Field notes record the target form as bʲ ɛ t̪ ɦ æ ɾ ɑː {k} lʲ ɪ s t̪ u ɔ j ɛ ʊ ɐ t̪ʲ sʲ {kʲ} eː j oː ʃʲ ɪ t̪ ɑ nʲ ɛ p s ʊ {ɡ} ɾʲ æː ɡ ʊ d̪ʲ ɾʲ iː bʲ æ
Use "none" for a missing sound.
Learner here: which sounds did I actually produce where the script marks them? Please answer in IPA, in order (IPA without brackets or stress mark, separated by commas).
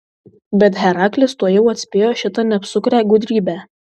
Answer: k, pʲ, k